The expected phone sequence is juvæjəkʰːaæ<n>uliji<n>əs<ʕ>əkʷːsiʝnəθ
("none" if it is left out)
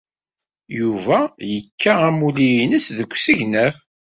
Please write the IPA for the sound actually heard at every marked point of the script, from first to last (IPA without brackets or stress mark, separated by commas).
m, n, ð